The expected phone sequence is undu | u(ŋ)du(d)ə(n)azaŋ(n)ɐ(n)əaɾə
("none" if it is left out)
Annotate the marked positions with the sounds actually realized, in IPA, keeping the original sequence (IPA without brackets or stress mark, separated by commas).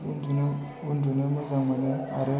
n, n, m, m, n